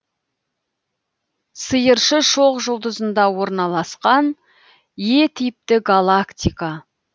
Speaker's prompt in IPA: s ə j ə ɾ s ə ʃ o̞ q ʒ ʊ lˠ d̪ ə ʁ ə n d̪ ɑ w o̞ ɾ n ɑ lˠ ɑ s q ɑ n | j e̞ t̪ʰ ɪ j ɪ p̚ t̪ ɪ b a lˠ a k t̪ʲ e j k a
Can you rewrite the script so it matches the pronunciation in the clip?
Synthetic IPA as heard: s ə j ə ɾ ʃ ə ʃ o̞ q ʒ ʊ lˠ d̪ ə z ə n d̪ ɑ w o̞ ɾ n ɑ lˠ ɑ s q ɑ n | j e̞ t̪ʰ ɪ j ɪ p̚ t̪ ɪ ɡ a lˠ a k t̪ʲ i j k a